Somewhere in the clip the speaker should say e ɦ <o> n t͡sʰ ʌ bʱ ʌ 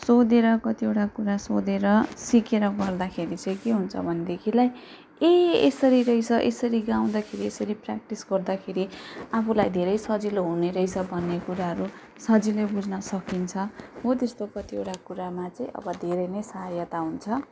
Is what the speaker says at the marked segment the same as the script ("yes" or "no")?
no